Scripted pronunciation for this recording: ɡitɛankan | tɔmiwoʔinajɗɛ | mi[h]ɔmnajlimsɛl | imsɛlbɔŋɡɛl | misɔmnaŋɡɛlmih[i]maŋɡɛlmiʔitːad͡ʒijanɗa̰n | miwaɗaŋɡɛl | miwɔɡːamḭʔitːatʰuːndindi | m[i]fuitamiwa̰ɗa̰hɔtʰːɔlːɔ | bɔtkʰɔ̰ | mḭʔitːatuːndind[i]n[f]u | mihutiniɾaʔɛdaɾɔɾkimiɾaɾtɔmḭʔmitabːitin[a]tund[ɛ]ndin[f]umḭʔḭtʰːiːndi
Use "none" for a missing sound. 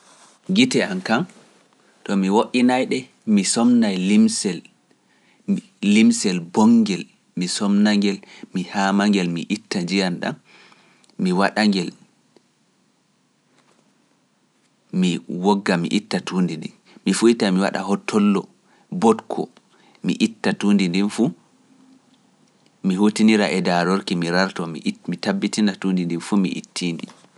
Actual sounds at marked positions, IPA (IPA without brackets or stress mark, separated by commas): s, a, i, i, f, a, i, f